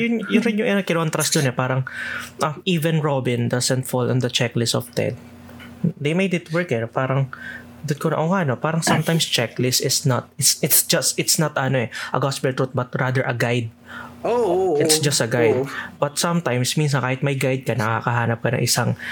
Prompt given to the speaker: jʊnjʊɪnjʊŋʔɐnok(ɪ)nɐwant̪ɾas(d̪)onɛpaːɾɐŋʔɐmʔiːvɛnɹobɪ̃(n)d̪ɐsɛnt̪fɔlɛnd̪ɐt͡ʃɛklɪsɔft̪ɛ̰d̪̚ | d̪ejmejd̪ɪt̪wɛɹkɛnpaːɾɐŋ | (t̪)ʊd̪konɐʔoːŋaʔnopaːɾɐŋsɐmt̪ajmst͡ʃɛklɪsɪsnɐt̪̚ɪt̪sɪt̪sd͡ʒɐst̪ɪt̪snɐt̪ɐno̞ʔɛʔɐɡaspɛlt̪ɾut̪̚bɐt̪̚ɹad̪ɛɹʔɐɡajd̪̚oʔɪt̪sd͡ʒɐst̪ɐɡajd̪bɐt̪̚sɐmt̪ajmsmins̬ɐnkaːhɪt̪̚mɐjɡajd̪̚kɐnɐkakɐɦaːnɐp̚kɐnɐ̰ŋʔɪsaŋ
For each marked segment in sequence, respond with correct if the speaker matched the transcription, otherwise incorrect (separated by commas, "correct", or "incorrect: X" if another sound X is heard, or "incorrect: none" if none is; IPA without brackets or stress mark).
correct, correct, correct, incorrect: d̪